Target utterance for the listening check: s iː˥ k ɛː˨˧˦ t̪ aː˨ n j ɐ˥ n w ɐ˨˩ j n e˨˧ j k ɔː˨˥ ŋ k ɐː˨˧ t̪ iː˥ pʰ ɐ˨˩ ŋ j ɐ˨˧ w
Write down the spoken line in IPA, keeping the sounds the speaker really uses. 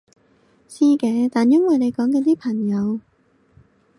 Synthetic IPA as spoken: s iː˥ k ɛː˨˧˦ t̪ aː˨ n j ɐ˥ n w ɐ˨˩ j n e˨˧ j k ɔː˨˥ ŋ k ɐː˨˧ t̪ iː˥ pʰ ɐ˨˩ ŋ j ɐ˨˧ w